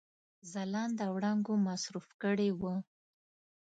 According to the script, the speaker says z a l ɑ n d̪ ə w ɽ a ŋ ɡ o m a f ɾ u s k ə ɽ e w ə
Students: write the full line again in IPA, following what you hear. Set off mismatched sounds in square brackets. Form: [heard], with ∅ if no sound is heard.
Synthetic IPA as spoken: z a l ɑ n d̪ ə w ɽ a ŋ ɡ o m a [s] ɾ u [f] k ə ɽ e w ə